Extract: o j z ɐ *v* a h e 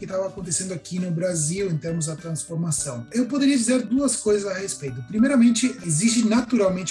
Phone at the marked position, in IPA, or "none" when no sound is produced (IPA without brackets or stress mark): z